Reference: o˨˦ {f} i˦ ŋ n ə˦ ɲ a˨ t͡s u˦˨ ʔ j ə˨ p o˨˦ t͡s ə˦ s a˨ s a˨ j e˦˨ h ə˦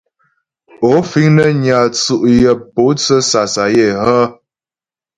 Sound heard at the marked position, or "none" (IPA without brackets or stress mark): f